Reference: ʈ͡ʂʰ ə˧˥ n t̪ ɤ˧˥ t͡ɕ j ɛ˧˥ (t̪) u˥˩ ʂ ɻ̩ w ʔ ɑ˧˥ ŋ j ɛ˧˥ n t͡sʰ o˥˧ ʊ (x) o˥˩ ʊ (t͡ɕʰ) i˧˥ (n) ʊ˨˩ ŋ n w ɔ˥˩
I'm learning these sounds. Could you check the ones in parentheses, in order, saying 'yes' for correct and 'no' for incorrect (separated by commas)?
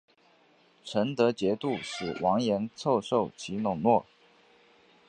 yes, no, yes, yes